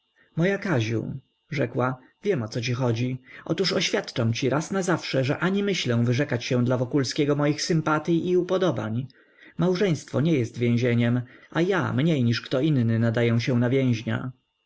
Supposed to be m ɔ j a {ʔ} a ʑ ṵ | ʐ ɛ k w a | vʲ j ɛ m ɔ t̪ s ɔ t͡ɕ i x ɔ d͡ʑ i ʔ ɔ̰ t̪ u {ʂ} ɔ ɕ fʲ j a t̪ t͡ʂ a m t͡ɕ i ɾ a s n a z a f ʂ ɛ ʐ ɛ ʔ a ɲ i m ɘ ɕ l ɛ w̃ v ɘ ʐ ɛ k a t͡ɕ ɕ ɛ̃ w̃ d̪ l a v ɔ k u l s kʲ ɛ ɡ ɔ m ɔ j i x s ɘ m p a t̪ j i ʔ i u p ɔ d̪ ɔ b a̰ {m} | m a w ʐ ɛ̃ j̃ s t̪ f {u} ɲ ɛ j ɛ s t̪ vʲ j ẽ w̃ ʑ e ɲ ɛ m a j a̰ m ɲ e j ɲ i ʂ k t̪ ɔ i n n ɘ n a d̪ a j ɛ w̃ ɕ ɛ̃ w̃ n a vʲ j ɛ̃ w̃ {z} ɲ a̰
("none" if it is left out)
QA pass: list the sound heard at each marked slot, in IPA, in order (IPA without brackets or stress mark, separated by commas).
k, ʂ, ɲ, ɔ, ʑ